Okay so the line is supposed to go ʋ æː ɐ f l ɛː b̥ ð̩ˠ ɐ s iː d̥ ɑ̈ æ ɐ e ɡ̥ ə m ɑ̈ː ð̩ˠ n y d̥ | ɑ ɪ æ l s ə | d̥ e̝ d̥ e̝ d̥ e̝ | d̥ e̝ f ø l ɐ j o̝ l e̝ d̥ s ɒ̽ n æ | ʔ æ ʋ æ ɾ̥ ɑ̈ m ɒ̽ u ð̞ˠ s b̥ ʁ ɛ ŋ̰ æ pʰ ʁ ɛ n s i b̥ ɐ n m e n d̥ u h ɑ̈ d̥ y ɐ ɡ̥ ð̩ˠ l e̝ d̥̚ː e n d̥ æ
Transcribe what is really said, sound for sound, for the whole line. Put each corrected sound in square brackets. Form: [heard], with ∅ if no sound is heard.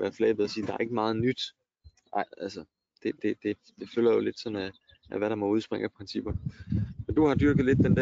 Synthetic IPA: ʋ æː ɐ f l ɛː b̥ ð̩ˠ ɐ s iː d̥ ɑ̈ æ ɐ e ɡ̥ ə m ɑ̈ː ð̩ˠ n y d̥ | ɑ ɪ æ l s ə | d̥ e̝ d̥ e̝ d̥ e̝ | d̥ e̝ f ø l ɐ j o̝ l e̝ d̥ s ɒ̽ n æ | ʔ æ ʋ æ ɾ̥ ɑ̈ m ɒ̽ u ð̞ˠ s b̥ ʁ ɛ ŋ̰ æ pʰ ʁ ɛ n s i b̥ ɐ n m e n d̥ u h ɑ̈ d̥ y ɐ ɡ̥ ð̩ˠ l e̝ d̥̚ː e n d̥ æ